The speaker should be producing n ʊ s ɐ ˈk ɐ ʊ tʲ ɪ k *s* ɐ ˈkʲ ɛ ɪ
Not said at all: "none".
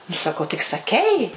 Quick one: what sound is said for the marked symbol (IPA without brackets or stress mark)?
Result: s